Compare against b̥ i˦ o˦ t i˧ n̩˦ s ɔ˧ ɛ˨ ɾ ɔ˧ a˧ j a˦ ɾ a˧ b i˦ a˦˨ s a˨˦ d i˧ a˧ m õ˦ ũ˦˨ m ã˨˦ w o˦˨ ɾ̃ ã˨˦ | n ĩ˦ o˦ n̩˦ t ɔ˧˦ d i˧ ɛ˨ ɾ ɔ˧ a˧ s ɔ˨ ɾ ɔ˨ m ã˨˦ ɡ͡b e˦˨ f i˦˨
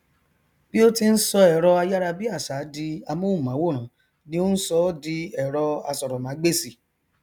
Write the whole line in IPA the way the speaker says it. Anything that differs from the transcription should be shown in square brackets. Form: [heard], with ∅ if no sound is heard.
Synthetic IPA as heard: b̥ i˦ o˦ t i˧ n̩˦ s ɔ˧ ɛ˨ ɾ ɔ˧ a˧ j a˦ ɾ a˧ b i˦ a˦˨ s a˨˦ d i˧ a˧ m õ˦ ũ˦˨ m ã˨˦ w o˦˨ ɾ̃ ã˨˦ | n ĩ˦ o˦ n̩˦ [s] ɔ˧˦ d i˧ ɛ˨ ɾ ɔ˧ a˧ s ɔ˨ ɾ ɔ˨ m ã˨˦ ɡ͡b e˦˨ [s] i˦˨